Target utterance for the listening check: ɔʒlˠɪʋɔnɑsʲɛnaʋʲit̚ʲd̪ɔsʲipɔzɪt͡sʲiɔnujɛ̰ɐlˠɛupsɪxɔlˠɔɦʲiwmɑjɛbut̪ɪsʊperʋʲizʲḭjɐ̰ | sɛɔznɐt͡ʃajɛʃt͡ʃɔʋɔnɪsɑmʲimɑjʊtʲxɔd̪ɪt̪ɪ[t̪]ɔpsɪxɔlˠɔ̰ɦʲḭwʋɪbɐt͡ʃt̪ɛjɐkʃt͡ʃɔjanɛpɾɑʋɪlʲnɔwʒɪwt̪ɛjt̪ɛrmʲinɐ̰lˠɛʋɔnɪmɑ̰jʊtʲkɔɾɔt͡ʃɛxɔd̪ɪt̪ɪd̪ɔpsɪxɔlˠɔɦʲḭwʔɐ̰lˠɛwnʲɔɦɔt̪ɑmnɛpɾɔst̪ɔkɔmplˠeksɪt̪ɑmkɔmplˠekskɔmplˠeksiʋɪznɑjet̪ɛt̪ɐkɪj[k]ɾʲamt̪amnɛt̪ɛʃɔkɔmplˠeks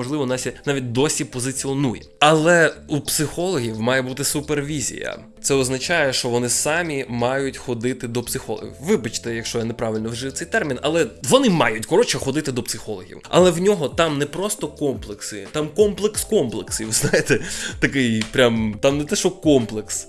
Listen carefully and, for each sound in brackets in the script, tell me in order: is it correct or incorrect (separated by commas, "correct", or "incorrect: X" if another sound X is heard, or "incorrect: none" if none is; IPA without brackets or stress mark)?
incorrect: d̪, incorrect: p